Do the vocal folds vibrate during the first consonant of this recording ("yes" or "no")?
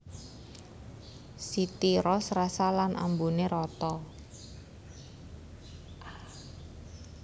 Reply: no